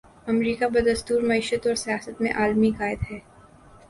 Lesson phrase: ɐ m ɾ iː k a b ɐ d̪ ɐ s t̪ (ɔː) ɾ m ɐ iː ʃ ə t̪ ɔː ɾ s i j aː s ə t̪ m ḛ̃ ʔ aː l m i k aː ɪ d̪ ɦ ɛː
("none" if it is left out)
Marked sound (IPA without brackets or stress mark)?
uː